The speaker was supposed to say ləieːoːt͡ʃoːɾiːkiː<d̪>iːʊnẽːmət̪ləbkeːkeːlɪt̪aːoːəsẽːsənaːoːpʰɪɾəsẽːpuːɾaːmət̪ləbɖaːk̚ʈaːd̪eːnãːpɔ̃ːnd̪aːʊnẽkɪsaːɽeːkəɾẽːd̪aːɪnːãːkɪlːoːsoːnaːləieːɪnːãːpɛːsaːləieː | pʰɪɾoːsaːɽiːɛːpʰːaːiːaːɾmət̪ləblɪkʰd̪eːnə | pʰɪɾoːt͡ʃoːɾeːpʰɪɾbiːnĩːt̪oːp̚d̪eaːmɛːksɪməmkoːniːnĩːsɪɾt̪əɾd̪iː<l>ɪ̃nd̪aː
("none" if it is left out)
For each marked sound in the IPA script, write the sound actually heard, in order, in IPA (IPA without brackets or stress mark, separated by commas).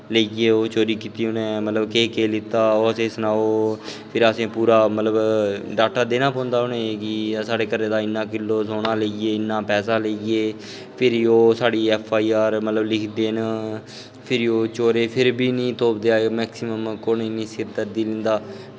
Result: t̪, l